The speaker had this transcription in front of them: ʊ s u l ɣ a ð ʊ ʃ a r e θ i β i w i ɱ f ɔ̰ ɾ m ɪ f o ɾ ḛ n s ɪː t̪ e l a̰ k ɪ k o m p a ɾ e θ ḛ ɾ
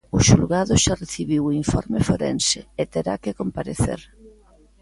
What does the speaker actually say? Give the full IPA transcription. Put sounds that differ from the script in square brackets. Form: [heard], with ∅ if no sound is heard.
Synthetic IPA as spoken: ʊ [ʃ] u l ɣ a ð ʊ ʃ a r e θ i β i w i ɱ f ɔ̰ ɾ m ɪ f o ɾ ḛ n s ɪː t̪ e [ɾ] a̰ k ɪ k o m p a ɾ e θ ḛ ɾ